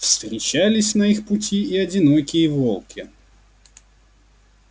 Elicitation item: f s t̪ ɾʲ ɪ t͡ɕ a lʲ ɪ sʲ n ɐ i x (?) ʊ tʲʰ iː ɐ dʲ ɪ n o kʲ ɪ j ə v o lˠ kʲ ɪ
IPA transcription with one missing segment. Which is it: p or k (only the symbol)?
p